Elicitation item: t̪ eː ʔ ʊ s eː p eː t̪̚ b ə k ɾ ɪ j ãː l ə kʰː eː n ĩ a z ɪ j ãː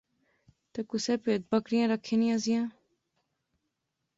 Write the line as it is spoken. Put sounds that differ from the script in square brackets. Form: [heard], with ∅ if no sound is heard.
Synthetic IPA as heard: t̪ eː [k] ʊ s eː p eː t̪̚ b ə k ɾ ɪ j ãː [ɾ] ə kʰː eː n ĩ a z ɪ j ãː